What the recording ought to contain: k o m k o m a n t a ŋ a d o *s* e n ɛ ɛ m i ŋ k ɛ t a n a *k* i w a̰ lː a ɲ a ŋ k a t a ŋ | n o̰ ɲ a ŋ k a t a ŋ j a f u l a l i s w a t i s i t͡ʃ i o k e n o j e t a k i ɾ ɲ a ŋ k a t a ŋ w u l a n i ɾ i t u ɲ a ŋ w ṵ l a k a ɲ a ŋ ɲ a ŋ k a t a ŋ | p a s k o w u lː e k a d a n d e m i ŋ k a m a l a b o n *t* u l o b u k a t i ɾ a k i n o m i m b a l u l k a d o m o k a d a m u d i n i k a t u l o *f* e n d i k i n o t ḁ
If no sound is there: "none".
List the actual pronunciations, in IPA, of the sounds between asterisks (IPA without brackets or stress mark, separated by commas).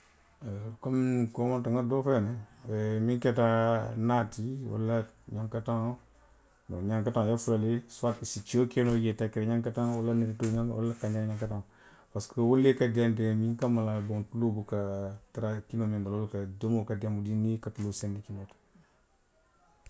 f, t, t, s